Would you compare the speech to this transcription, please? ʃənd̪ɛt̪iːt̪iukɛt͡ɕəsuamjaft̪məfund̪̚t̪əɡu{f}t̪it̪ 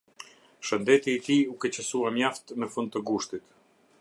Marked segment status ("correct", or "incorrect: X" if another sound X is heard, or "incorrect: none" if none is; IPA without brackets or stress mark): incorrect: ʃ